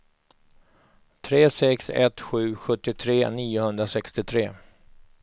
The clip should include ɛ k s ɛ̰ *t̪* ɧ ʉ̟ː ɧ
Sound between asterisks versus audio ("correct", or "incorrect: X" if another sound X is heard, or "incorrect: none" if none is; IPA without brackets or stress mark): correct